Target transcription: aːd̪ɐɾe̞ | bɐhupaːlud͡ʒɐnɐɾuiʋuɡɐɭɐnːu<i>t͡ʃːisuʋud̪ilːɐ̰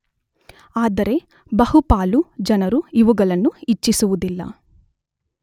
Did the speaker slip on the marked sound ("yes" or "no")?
no